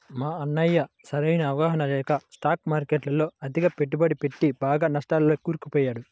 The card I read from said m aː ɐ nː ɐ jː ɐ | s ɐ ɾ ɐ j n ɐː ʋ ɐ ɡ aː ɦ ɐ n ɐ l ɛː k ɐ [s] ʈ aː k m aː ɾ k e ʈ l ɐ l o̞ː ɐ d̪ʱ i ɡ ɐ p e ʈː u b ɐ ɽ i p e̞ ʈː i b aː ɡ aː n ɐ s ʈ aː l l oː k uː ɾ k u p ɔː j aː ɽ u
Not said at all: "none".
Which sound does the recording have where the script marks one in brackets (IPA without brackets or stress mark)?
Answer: s